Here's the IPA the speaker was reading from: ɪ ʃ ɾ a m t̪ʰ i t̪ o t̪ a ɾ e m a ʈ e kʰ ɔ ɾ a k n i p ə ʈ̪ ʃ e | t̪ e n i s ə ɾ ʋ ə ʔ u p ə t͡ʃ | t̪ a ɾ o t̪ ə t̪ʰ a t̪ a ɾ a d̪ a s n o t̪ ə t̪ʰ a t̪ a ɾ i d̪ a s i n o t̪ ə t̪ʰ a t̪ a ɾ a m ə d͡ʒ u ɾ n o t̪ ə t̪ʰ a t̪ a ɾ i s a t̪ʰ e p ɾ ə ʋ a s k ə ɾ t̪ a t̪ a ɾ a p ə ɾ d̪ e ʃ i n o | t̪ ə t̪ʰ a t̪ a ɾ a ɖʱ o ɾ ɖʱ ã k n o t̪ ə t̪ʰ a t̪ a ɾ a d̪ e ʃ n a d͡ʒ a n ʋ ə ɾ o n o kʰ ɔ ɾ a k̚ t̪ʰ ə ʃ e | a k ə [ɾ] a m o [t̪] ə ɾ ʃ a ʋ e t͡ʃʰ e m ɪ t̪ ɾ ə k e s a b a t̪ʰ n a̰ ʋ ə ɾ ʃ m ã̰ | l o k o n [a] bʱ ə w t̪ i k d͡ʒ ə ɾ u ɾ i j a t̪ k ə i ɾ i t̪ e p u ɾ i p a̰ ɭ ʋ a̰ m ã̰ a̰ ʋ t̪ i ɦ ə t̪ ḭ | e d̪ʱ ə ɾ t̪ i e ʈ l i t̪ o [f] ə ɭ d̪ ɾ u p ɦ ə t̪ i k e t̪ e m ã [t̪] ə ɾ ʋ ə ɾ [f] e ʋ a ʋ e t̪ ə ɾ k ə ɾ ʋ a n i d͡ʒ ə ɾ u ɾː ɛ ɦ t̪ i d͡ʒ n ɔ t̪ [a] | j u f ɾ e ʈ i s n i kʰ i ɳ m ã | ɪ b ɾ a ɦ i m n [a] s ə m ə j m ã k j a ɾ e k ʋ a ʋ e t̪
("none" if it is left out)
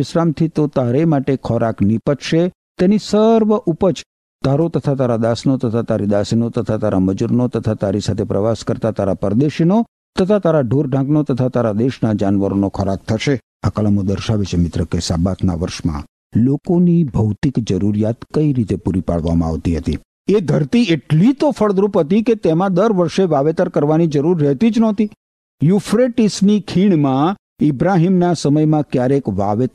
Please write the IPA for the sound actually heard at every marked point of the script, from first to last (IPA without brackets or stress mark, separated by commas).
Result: l, d̪, i, f, d̪, ʃ, i, a